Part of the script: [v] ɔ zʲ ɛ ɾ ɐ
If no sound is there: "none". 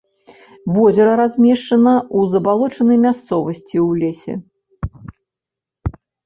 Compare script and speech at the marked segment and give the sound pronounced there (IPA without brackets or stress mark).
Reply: v